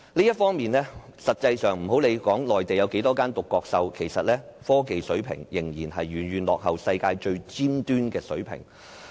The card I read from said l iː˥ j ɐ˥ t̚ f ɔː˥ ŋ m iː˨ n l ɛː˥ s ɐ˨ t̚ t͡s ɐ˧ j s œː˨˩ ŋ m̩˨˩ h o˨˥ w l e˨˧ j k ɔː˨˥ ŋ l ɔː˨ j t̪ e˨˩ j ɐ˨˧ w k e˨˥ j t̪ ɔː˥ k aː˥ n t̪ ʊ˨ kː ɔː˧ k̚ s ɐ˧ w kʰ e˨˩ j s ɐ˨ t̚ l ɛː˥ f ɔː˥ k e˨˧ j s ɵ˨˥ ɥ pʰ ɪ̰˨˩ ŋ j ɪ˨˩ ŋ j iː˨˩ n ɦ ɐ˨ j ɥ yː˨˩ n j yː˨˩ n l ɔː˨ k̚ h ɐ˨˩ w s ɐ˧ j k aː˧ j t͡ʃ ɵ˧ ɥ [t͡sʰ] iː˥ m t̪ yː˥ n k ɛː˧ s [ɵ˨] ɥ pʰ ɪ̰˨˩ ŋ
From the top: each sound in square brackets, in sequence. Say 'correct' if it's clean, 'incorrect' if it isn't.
incorrect: t͡s, incorrect: ɵ˨˥

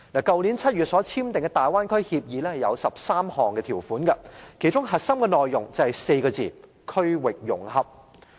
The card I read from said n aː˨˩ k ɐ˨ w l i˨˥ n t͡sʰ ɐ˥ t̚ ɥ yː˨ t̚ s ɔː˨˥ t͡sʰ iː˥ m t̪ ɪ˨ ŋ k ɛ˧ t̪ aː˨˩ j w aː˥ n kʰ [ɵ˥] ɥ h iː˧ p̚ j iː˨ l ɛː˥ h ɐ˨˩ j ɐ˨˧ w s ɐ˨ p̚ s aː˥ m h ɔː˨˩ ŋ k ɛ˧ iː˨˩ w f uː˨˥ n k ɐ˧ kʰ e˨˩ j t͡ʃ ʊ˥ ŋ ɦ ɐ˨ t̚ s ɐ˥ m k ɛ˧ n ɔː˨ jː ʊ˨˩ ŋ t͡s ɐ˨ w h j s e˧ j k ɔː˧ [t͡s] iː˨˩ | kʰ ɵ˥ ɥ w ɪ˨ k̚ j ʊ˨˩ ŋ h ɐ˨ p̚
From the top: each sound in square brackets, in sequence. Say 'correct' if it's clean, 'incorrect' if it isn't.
correct, correct

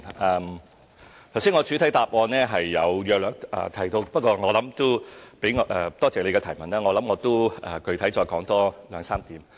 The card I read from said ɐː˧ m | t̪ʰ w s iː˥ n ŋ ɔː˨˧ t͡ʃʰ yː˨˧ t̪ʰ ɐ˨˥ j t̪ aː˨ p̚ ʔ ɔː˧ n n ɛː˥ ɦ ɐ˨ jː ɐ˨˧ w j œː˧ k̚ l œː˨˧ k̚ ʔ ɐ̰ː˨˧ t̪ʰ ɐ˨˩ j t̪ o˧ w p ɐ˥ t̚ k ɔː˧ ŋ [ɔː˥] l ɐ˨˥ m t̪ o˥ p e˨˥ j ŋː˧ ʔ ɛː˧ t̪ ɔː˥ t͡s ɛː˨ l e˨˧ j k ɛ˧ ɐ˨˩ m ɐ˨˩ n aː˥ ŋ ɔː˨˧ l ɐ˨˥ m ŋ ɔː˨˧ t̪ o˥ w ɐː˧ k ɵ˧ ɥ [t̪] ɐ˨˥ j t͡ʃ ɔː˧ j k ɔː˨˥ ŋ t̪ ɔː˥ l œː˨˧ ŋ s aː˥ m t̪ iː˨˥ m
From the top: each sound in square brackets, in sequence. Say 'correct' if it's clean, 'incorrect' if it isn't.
incorrect: ɔː˨˧, incorrect: t̪ʰ

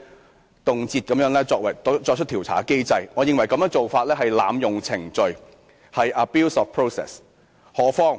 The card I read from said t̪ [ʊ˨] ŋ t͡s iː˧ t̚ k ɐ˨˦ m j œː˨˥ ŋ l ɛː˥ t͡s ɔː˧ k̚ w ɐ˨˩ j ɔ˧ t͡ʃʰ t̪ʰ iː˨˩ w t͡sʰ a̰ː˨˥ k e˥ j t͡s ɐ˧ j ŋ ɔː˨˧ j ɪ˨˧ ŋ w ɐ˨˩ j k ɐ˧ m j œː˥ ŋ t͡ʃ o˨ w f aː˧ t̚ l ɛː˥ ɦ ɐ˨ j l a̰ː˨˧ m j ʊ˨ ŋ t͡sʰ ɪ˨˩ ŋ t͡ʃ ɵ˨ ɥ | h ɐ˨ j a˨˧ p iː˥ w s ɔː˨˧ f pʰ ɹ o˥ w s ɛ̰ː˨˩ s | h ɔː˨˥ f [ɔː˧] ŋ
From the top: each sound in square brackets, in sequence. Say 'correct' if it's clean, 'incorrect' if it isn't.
correct, incorrect: ɔː˥

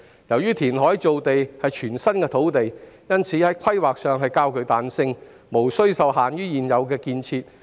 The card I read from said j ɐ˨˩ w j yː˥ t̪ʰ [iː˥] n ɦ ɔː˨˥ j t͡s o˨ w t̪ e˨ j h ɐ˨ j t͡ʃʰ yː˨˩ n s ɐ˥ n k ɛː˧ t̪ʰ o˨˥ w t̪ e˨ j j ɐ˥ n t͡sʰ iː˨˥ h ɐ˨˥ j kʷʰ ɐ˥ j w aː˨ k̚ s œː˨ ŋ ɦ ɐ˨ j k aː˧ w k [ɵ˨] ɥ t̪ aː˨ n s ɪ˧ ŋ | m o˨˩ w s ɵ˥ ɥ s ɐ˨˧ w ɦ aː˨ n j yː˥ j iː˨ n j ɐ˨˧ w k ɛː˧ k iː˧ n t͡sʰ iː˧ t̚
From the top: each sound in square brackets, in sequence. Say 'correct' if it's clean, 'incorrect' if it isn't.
incorrect: iː˨˩, correct

